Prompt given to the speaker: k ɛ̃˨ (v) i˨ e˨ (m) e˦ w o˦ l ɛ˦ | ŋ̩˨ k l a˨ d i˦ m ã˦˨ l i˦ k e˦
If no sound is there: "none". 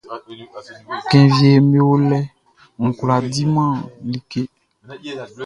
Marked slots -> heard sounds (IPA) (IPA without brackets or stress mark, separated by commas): v, m